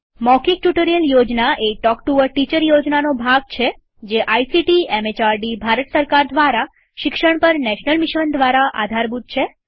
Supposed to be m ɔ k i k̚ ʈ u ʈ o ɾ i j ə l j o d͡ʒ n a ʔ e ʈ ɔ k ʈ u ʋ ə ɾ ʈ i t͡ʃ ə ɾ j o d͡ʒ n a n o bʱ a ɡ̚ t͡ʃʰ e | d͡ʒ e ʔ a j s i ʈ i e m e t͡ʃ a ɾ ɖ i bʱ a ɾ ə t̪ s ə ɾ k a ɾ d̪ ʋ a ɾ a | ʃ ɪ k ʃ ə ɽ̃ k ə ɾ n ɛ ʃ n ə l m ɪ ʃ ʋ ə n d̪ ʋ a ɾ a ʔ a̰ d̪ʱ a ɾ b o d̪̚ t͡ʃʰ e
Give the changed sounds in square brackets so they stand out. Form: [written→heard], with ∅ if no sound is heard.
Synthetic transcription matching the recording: m ɔ k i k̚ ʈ u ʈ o ɾ i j ə l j o d͡ʒ n a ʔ e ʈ ɔ k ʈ u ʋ ə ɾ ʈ i t͡ʃ ə ɾ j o d͡ʒ n a n o bʱ a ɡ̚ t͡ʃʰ e | d͡ʒ e ʔ a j s i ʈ i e m e t͡ʃ a ɾ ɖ i bʱ a ɾ ə t̪ s ə ɾ k a ɾ d̪ ʋ a ɾ a | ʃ ɪ k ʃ ə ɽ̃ [k→p] ə ɾ n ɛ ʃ n ə l m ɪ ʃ ʋ ə n d̪ ʋ a ɾ a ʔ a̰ d̪ʱ a ɾ b [o→u] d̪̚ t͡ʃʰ e